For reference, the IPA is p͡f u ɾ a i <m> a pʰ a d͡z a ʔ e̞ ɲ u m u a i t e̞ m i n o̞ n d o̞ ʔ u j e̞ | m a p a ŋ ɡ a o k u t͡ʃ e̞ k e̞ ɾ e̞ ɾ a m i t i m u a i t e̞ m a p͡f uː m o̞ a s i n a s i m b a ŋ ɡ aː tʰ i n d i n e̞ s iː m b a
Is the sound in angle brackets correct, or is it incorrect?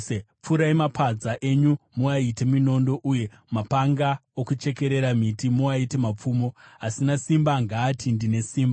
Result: correct